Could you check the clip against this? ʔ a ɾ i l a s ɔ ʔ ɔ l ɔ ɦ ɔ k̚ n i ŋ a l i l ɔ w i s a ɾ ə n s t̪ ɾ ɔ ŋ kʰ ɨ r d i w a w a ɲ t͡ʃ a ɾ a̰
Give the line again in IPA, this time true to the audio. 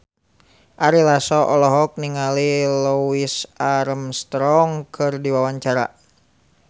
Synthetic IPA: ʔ a ɾ i l a s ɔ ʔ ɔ l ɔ ɦ ɔ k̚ n i ŋ a l i l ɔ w i s a ɾ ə m s t̪ ɾ ɔ ŋ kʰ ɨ r d i w a w a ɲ t͡ʃ a ɾ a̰